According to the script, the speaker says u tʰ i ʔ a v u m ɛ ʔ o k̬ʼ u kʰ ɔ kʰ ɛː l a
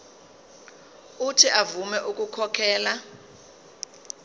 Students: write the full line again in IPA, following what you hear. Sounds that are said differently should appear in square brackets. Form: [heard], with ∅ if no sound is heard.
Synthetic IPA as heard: u tʰ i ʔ a v u m ɛ ʔ [u] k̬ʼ u kʰ ɔ kʰ ɛː l a